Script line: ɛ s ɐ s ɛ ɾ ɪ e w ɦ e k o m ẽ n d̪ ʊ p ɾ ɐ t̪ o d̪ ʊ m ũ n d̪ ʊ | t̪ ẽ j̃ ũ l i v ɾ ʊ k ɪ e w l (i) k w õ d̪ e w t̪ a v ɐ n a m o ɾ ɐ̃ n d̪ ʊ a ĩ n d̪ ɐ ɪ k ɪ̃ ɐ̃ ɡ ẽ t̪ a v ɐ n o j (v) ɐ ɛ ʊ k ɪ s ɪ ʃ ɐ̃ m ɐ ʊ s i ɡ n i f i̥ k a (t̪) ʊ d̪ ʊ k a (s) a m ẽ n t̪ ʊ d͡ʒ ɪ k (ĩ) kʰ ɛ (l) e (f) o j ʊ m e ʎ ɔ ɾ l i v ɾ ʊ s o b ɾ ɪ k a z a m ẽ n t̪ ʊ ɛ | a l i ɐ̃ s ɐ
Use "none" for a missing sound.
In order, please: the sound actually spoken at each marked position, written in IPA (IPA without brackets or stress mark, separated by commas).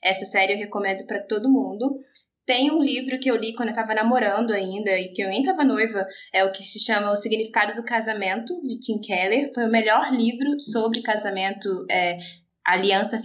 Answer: i, v, d̪, z, ĩ, l, f